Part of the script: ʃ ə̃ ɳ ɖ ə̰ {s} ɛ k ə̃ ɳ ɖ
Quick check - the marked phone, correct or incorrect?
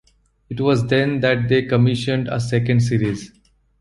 correct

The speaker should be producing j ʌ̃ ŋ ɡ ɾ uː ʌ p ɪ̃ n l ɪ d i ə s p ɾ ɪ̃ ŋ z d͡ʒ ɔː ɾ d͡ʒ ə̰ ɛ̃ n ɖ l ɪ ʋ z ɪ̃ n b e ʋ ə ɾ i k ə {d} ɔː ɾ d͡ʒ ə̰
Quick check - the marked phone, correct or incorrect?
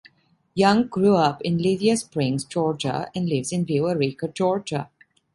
incorrect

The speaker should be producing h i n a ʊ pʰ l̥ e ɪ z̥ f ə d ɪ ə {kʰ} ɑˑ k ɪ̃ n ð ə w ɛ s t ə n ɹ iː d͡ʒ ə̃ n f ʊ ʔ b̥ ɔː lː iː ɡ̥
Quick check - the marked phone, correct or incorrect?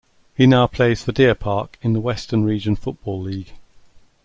incorrect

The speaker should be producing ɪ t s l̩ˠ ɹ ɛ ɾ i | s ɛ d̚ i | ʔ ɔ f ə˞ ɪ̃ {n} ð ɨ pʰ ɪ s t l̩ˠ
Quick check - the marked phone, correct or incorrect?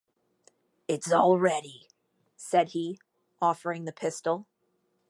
incorrect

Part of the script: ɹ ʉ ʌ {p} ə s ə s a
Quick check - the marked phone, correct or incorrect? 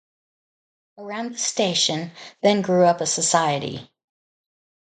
correct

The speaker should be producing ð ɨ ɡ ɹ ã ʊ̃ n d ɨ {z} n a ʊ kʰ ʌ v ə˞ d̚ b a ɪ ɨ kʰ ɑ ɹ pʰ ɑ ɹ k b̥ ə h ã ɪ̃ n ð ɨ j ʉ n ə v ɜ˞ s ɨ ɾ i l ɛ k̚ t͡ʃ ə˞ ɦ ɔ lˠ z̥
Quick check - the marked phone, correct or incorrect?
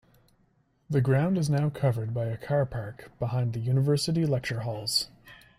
correct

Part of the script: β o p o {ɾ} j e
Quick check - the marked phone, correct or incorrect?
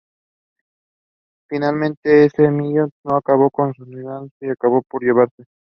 correct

